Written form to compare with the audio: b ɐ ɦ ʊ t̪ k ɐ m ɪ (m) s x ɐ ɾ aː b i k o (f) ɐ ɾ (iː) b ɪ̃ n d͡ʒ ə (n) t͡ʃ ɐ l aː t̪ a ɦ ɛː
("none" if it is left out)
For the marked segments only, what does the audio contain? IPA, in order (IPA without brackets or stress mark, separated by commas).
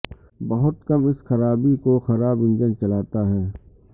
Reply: none, x, aː, n